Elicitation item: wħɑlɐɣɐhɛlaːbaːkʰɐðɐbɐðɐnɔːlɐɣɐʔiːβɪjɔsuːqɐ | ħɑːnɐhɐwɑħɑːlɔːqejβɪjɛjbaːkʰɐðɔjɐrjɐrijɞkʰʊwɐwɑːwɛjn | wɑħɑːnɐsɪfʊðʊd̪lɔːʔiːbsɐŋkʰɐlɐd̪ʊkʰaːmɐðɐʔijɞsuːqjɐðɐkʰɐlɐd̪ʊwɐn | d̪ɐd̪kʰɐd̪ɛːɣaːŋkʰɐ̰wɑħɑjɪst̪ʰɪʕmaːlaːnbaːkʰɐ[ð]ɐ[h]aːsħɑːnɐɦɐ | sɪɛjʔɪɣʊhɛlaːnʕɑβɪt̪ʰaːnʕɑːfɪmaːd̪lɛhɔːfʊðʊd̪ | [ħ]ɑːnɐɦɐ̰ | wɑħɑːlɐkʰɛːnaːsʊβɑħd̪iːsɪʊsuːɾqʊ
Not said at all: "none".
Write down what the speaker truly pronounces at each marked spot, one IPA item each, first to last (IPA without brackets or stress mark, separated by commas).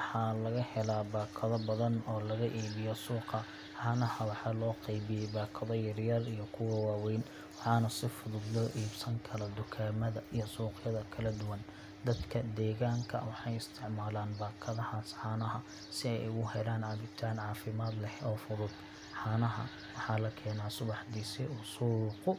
ð, h, ħ